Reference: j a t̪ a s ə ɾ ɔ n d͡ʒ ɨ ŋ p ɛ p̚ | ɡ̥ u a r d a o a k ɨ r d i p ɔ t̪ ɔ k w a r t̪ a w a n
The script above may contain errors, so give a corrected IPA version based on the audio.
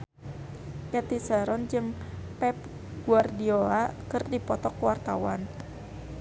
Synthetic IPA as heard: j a t̪ i s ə ɾ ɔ n d͡ʒ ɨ ŋ p ɛ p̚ | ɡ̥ u a r d i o a k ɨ r d i p ɔ t̪ ɔ k w a r t̪ a w a n